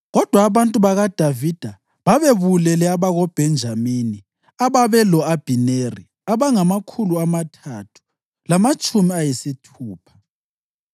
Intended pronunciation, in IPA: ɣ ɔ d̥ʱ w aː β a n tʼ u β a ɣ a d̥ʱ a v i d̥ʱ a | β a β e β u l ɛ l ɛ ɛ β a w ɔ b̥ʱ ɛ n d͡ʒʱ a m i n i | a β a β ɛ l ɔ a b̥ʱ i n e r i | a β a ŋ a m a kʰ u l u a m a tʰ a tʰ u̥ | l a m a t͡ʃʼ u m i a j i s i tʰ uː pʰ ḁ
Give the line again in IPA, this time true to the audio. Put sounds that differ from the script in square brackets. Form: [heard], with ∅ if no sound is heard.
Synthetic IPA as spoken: ɣ ɔ d̥ʱ w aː β a n tʼ u β a ɣ a d̥ʱ a v i d̥ʱ a | β a β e β u l ɛ l ɛ [a] β a [ɣ] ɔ b̥ʱ ɛ n d͡ʒʱ a m i n i | a β a β ɛ l ɔ a b̥ʱ i n e r i | a β a ŋ a m a kʰ u l u a m a tʰ a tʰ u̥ | l a m a t͡ʃʼ u m i a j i s i tʰ uː pʰ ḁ